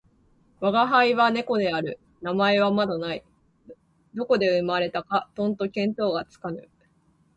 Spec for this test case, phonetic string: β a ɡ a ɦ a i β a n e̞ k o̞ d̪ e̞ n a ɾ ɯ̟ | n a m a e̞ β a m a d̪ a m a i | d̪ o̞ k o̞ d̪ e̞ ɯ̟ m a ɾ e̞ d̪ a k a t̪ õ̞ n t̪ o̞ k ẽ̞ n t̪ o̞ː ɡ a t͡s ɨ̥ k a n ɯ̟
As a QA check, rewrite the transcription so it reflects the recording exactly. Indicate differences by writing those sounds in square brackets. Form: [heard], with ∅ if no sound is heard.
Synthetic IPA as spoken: β a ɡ a ɦ a i β a n e̞ k o̞ d̪ e̞ [∅] a ɾ ɯ̟ | n a m a e̞ β a m a d̪ a [n] a i | d̪ o̞ k o̞ d̪ e̞ ɯ̟ m a ɾ e̞ [t̪] a k a t̪ õ̞ n t̪ o̞ k ẽ̞ n t̪ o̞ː ɡ a t͡s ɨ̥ k a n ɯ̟